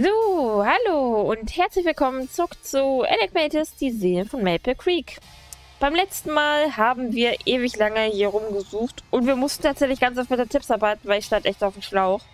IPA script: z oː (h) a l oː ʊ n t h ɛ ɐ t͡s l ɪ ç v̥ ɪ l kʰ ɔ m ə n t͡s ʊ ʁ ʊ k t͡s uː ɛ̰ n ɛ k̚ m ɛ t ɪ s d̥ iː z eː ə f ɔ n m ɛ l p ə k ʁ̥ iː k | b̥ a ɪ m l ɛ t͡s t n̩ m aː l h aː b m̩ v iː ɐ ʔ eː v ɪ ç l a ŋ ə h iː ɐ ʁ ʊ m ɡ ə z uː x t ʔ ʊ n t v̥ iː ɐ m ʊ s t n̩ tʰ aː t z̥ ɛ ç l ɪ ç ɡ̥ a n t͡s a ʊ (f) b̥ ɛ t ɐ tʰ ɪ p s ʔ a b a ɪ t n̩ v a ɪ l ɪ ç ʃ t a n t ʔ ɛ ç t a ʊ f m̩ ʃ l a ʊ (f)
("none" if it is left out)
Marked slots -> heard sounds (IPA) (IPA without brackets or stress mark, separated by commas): h, f, x